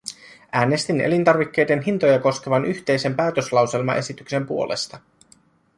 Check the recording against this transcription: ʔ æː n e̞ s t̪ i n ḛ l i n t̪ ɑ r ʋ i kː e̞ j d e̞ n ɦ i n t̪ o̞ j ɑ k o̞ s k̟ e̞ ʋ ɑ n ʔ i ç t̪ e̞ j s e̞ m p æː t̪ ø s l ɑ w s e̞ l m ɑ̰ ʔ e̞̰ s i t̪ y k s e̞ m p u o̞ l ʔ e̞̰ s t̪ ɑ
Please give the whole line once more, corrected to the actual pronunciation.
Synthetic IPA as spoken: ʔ æː n e̞ s t̪ i n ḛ l i n t̪ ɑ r ʋ i kː e̞ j d e̞ n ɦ i n t̪ o̞ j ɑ k o̞ s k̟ e̞ ʋ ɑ n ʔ y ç t̪ e̞ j s e̞ m p æː t̪ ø s l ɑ w s e̞ l m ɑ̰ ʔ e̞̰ s i t̪ y k s e̞ m p u o̞ l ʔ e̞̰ s t̪ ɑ